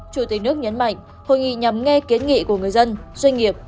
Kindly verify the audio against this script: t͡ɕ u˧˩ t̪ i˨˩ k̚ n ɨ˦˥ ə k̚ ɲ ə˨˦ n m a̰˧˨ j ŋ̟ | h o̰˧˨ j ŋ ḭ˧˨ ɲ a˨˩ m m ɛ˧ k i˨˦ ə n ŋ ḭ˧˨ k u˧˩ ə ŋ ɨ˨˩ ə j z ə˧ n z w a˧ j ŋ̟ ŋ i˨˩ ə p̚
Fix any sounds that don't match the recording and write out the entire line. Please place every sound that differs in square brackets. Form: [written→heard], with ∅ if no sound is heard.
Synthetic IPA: t͡ɕ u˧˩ t̪ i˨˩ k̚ n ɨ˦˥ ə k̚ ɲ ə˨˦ n m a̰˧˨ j ŋ̟ | h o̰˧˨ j ŋ ḭ˧˨ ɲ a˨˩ m [m→ŋ] ɛ˧ k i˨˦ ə n ŋ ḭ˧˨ k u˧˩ ə ŋ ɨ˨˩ ə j z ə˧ n z w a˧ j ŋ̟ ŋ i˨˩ ə p̚